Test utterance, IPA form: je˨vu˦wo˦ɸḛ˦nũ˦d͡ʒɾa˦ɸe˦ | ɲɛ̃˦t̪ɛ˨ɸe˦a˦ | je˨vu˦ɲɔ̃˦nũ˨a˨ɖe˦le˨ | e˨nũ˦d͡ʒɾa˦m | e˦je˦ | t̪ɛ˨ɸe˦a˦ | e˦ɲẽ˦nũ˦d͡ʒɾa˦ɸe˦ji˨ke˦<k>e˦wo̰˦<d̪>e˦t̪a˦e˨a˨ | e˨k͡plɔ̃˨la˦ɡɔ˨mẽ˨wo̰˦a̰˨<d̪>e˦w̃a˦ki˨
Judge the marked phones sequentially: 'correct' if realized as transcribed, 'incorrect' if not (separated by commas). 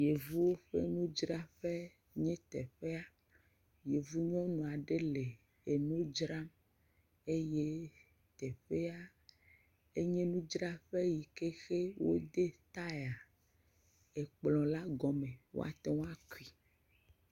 incorrect, correct, incorrect